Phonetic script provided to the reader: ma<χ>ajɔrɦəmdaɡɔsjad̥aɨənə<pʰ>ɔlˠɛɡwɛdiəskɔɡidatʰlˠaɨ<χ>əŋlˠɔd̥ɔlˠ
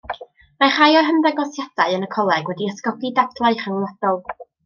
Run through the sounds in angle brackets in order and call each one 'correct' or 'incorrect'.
correct, incorrect: kʰ, correct

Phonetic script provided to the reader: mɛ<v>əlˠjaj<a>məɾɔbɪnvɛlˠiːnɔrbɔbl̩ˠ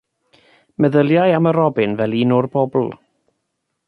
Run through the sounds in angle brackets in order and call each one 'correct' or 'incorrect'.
incorrect: ð, correct

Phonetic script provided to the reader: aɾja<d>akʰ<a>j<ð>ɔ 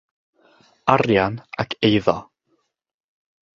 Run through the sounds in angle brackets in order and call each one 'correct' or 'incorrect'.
incorrect: n, incorrect: e, correct

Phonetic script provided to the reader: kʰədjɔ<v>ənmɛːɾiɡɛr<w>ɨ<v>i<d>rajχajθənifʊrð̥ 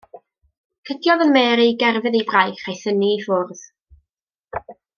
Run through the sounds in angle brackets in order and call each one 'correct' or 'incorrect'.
incorrect: ð, incorrect: v, incorrect: ð, incorrect: b

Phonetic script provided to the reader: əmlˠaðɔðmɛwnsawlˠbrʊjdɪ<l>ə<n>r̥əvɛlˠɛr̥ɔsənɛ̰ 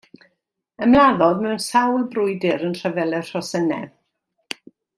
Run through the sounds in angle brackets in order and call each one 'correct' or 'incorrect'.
incorrect: ɾ, correct

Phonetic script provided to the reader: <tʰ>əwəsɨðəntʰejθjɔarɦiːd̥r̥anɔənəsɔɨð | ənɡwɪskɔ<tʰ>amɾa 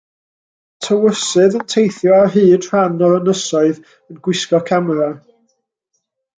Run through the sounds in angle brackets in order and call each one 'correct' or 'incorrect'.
correct, incorrect: kʰ

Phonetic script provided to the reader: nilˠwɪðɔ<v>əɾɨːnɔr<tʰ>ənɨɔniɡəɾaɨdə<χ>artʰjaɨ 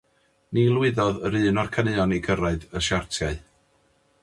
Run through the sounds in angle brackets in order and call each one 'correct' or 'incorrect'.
incorrect: ð, incorrect: kʰ, incorrect: ʃ

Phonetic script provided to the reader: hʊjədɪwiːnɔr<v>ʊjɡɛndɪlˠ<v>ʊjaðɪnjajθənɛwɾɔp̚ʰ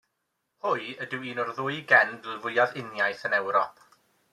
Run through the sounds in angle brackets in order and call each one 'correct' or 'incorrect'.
incorrect: ð, correct

